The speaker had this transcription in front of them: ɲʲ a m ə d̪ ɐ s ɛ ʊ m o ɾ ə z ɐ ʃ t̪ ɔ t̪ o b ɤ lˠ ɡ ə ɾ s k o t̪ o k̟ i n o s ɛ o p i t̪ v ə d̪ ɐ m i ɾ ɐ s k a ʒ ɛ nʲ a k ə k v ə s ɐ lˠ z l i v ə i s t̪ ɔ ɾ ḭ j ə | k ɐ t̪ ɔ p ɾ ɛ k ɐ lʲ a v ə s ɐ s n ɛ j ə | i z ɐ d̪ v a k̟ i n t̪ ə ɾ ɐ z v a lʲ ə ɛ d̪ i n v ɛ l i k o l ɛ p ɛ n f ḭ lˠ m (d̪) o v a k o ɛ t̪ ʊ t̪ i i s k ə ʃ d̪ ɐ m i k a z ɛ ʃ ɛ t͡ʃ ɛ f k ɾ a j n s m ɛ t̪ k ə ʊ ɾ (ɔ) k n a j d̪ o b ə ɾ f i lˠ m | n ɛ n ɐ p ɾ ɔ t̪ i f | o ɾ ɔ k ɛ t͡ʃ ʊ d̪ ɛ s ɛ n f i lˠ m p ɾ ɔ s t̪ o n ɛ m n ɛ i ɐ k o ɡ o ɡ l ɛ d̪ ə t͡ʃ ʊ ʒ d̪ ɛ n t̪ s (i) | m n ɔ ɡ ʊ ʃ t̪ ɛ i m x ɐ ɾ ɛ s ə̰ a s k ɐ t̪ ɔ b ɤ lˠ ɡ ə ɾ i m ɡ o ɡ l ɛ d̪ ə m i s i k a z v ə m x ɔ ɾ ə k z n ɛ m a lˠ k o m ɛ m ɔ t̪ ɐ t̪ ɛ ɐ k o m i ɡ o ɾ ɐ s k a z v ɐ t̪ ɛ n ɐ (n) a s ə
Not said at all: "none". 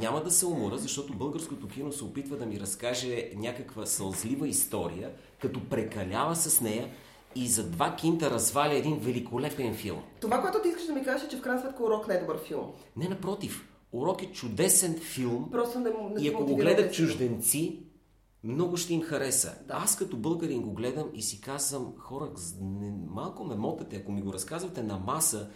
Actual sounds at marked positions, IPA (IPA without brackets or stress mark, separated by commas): t̪, ɔ, i, m